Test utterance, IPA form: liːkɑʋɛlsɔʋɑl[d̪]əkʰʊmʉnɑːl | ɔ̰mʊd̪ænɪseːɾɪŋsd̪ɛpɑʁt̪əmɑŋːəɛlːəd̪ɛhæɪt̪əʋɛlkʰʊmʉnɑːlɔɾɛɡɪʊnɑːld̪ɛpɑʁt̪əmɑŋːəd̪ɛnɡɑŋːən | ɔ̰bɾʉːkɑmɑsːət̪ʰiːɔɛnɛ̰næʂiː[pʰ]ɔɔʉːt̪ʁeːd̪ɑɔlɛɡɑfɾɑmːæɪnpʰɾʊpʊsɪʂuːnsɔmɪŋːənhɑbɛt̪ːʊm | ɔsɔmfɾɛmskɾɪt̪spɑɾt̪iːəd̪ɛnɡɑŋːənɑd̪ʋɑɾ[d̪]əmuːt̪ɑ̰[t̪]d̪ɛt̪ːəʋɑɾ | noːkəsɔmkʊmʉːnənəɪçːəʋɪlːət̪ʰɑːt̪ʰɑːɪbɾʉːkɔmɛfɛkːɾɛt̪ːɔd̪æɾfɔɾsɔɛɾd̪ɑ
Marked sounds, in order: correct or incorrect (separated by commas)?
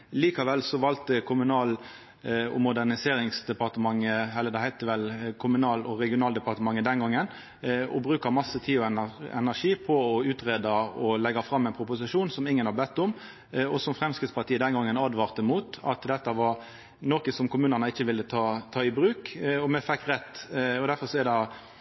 incorrect, correct, incorrect, correct